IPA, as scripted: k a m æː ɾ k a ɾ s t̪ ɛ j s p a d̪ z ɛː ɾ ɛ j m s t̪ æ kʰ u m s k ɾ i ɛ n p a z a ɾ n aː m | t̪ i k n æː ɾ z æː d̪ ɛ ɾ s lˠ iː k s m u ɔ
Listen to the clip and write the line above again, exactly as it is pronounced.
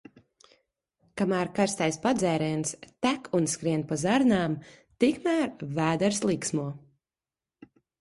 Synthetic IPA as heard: k a m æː ɾ k a ɾ s t̪ a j s p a d̪ z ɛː ɾ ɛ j n s t̪ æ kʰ u n s k ɾ i ɛ n p a z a ɾ n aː m | t̪ i k m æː ɾ v æː d̪ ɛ ɾ s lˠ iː k s m u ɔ